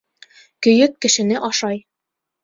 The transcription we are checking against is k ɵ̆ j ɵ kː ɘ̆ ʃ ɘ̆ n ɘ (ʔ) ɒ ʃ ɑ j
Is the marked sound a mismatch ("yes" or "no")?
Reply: no